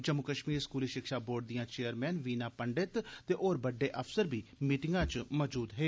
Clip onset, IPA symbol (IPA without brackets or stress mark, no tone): d͡ʒ